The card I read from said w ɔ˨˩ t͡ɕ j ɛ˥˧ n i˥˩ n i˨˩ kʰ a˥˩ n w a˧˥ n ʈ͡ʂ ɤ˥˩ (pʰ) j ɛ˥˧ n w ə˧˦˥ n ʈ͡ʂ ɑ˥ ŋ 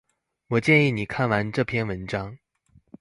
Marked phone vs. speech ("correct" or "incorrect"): correct